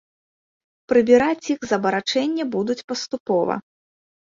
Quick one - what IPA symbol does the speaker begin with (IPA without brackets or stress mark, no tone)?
p